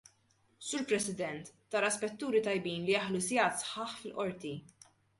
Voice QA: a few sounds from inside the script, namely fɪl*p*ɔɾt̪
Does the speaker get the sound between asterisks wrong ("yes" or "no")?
yes